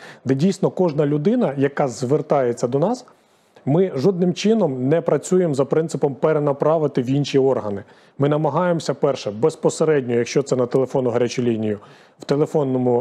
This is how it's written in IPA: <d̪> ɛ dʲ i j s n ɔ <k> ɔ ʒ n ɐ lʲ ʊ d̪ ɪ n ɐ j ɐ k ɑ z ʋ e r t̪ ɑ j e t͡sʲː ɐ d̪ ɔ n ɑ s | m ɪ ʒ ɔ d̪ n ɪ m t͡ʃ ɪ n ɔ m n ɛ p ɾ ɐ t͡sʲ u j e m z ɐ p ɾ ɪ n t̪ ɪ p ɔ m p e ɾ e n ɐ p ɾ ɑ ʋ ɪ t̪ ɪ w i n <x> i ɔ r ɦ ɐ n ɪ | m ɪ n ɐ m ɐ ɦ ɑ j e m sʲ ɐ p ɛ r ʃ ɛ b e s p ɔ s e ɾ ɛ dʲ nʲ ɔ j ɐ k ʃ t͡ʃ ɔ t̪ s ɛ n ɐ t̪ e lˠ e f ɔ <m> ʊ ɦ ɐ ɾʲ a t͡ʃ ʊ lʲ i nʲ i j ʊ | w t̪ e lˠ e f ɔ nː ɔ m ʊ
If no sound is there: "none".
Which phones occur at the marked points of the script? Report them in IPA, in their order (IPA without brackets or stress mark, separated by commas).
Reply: d̪, k, ʃ, n